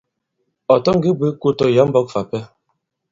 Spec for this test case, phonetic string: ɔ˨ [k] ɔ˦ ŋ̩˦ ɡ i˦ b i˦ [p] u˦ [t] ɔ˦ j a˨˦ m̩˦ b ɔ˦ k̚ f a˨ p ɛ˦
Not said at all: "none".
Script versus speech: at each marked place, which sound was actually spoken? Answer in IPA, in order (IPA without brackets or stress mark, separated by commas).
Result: t, k, t